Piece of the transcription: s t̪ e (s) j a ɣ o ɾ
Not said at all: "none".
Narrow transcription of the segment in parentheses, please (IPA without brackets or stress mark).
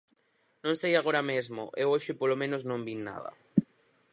none